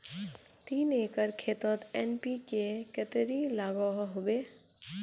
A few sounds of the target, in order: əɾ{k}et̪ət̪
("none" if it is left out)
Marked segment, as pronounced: kʰ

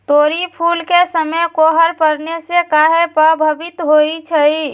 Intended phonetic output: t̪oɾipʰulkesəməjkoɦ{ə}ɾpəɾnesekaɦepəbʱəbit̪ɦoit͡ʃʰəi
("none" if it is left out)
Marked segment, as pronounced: ə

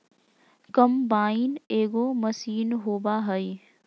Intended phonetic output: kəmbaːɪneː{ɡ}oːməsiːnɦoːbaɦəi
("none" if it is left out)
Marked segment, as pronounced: ɡ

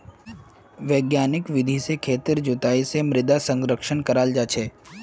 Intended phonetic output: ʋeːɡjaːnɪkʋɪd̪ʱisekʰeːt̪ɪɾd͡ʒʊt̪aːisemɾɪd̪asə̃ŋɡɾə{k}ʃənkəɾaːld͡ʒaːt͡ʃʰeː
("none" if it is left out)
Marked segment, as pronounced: k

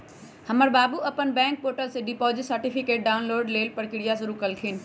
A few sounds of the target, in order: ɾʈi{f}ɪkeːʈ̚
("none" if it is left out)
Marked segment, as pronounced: f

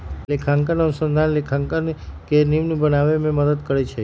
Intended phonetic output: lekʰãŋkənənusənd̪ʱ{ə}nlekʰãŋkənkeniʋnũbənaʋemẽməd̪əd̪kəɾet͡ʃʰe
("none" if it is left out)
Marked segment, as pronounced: a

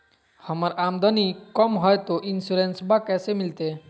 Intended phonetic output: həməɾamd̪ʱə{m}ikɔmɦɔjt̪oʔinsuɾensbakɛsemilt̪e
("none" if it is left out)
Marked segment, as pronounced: n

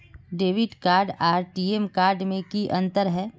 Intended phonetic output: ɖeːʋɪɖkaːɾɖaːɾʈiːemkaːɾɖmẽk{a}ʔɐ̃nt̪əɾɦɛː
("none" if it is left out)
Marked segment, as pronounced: i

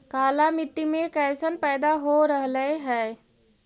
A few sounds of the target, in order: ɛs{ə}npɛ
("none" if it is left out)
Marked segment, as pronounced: ə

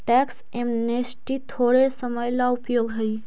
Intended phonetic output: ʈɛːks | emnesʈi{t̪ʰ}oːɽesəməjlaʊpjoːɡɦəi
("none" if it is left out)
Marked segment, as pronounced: t̪ʰ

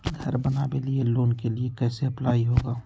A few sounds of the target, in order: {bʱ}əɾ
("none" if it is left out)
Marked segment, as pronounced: ɡʱ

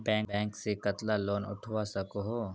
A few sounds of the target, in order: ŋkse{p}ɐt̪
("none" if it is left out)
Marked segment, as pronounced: k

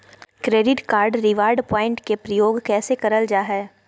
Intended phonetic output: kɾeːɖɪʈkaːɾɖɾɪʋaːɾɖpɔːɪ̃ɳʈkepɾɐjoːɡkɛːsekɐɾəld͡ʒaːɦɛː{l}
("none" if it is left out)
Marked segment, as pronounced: none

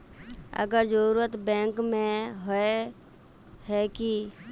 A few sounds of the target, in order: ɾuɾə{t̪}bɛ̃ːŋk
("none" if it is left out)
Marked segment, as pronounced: t̪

